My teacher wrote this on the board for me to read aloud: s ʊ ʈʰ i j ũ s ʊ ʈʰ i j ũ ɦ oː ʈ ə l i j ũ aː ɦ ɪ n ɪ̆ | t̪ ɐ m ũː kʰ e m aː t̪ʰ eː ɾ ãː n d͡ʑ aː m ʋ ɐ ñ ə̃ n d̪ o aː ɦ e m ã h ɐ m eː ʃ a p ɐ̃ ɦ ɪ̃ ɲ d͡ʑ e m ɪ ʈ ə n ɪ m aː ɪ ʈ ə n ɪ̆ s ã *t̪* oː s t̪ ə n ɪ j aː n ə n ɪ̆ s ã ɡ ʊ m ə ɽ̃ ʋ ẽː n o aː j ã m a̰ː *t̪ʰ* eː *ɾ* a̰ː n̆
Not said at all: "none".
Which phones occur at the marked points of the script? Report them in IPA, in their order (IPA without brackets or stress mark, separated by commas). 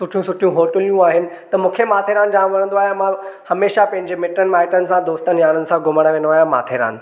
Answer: d̪, t̪ʰ, ɾ